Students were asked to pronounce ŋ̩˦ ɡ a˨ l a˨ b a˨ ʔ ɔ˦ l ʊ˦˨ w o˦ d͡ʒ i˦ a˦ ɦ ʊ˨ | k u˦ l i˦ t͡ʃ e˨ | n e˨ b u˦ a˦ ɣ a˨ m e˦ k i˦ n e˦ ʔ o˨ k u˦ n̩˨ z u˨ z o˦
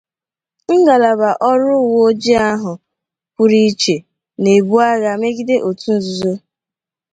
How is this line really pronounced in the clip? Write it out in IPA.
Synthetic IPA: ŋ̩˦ ɡ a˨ l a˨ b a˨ ʔ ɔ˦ ɾ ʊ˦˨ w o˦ d͡ʒ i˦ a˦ ɦ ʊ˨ | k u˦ ɾ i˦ t͡ʃ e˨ | n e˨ b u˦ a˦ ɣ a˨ m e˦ ɡ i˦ d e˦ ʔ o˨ t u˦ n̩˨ z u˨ z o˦